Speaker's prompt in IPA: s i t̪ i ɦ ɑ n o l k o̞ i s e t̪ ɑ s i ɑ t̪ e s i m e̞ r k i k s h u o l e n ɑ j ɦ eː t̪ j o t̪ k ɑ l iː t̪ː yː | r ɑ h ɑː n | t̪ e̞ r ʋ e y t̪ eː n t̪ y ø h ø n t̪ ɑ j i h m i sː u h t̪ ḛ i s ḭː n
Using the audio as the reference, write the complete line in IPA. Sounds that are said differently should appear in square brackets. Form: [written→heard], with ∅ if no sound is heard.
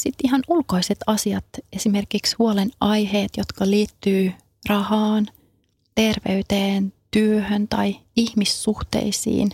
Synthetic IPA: s i t̪ i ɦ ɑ n [o→u] l k o̞ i s e t̪ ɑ s i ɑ t̪ e s i m e̞ r k i k s h u o l e n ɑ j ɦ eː t̪ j o t̪ k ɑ l iː t̪ː yː | r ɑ h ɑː n | t̪ e̞ r ʋ e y t̪ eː n t̪ y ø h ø n t̪ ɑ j i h m i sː u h t̪ ḛ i s ḭː n